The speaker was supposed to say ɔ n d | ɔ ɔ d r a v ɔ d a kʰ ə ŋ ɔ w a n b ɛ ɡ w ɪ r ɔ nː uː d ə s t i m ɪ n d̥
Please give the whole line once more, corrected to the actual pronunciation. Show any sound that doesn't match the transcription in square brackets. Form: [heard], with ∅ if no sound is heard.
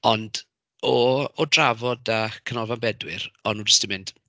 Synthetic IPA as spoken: ɔ n d | ɔ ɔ d r a v ɔ d a kʰ ə [n] ɔ [v] a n b ɛ [d] w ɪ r ɔ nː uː [d͡ʒ] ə s t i m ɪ n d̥